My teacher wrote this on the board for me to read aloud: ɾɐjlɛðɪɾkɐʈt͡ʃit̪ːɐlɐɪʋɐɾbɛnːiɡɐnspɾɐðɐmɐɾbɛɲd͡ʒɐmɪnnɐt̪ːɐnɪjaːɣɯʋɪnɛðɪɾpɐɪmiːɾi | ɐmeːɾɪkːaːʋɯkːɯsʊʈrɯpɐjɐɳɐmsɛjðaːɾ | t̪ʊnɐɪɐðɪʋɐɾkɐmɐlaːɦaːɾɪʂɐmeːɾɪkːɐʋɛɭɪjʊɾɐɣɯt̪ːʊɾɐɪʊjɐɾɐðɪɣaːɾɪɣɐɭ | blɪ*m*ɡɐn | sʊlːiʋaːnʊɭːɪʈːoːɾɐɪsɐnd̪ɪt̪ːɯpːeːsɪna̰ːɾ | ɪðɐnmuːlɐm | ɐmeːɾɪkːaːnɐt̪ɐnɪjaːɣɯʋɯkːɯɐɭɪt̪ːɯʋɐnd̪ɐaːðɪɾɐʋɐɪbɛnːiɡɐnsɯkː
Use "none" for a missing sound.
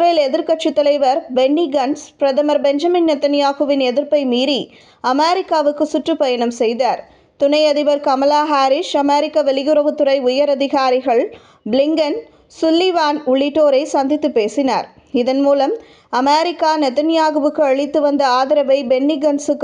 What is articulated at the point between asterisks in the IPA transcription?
ŋ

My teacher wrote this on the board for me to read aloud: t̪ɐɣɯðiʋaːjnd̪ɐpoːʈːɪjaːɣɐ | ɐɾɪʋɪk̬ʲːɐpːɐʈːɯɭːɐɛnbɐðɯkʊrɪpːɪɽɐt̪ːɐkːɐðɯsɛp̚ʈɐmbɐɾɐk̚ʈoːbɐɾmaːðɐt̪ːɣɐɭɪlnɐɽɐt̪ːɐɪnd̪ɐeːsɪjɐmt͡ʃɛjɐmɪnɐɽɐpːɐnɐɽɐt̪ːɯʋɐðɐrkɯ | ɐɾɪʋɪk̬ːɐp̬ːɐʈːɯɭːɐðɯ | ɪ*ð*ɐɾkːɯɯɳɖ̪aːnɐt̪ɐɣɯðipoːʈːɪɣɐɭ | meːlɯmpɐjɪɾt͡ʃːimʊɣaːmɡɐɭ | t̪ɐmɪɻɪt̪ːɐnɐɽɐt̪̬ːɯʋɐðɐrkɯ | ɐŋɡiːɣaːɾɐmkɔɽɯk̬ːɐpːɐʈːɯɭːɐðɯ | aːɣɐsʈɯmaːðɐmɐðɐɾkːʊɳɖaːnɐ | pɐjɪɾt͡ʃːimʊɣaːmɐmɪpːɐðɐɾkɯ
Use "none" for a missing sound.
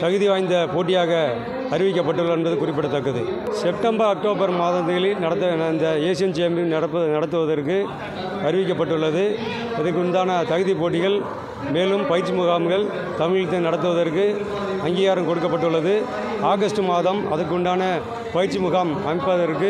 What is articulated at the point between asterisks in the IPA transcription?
ð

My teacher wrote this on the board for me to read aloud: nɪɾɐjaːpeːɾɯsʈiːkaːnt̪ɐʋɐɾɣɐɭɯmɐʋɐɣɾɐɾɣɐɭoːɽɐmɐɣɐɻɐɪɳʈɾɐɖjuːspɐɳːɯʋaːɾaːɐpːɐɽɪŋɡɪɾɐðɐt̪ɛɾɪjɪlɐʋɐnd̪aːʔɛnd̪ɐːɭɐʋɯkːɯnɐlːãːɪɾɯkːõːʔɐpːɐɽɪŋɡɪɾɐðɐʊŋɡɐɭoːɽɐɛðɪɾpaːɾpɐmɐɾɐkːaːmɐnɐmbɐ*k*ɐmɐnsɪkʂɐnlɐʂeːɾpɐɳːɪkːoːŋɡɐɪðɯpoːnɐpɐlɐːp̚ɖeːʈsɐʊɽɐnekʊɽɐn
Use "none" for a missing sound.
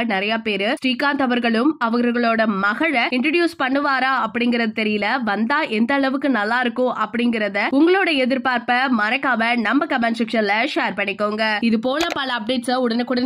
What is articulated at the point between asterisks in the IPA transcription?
k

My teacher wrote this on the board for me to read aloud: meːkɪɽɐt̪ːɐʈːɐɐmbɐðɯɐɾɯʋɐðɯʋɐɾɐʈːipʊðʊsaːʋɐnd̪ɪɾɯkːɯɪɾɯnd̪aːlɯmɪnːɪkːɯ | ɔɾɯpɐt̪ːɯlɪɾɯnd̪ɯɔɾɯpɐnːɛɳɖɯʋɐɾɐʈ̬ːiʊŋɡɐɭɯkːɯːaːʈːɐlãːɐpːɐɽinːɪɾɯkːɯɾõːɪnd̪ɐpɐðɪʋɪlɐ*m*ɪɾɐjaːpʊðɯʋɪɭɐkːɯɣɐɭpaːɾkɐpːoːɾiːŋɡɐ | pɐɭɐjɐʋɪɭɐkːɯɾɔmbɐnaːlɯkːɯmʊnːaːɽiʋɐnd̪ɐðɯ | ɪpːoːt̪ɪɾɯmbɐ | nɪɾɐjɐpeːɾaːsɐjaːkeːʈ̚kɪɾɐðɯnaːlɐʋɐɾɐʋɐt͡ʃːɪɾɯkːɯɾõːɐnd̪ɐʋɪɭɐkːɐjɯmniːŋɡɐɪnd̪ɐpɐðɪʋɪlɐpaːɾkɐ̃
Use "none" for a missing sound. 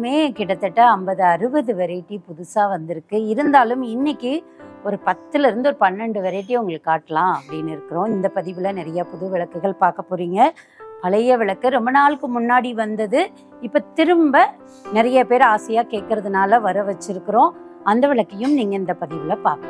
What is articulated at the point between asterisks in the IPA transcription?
n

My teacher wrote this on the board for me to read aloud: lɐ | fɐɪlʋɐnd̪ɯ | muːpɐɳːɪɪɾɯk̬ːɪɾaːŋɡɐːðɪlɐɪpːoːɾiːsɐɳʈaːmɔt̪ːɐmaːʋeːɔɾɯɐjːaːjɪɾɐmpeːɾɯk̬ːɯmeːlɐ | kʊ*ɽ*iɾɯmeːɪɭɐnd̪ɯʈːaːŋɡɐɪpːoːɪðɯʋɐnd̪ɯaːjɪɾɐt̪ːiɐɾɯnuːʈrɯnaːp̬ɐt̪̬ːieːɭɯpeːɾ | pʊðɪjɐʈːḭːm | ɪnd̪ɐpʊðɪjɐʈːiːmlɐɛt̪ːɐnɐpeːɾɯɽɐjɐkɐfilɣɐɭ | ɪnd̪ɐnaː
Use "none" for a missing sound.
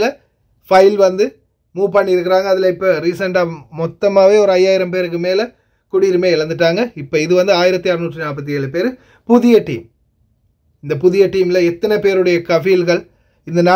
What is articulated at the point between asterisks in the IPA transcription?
ɽ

